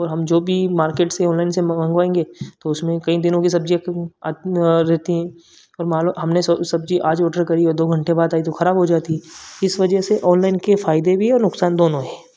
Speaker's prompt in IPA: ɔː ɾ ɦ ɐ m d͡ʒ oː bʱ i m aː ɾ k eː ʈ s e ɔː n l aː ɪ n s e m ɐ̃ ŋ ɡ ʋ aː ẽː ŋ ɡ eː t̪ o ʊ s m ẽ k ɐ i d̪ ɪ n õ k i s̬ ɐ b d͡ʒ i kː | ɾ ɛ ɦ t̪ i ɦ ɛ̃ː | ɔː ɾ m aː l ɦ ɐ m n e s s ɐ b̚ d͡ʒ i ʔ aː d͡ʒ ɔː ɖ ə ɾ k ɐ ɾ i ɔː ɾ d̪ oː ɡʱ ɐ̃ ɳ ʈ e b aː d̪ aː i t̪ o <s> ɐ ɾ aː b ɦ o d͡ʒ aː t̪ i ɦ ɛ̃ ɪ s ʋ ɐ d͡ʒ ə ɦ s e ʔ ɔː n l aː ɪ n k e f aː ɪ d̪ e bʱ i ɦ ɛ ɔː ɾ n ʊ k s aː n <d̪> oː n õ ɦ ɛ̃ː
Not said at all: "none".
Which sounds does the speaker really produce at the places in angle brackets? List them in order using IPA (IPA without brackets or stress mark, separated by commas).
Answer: x, d̪